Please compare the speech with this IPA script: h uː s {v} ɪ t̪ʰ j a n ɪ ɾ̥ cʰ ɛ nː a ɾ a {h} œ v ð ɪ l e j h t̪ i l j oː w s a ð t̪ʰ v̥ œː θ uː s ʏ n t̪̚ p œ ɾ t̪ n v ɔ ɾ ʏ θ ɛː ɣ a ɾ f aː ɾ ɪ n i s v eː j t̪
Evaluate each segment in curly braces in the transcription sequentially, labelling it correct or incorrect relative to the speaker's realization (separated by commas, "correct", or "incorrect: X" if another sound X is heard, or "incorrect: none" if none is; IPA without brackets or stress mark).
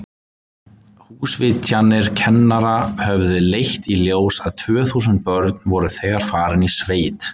correct, correct